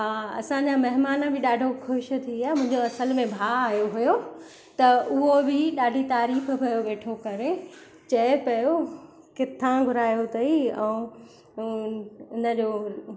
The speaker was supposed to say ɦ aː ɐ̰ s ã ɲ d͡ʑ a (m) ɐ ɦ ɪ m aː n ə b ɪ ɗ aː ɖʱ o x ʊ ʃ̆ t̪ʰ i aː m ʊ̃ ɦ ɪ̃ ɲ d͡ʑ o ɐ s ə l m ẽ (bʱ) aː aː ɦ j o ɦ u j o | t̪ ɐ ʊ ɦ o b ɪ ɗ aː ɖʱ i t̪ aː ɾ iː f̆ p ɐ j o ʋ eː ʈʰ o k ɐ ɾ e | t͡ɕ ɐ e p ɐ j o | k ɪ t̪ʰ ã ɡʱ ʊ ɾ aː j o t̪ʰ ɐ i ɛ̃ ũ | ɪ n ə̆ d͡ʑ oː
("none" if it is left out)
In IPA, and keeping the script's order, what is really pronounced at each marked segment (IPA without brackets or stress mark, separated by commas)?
m, bʱ